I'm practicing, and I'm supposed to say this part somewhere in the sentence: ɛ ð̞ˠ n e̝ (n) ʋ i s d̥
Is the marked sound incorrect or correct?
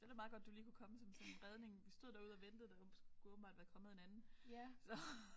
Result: incorrect